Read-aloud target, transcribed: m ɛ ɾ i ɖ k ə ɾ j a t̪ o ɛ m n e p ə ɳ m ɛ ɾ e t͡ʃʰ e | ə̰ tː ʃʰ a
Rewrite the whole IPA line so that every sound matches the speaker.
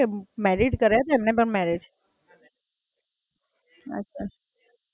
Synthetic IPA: m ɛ ɾ i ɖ k ə ɾ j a t̪ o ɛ m n e p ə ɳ m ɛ ɾ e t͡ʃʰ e | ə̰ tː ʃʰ a